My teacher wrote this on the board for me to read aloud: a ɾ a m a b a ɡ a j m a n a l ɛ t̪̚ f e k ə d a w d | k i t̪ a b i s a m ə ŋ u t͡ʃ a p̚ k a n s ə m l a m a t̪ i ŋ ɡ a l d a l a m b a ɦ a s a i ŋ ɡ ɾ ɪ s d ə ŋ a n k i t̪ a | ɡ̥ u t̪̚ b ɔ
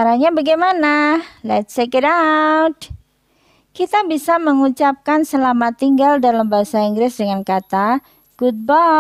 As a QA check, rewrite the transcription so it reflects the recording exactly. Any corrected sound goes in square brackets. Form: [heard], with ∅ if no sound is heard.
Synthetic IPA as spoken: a ɾ a [ɲ] a b a ɡ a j m a n a l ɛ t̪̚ [s] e k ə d a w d | k i t̪ a b i s a m ə ŋ u t͡ʃ a p̚ k a n s ə [∅] l a m a t̪ i ŋ ɡ a l d a l a m b a ɦ a s a i ŋ ɡ ɾ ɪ s d ə ŋ a n k [a] t̪ a | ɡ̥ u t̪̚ b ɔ